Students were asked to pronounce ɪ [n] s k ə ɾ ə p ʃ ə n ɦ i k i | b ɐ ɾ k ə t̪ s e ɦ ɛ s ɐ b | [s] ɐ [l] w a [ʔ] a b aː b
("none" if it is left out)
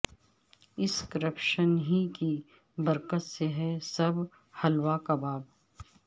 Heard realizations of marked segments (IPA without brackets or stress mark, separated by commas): none, h, l, k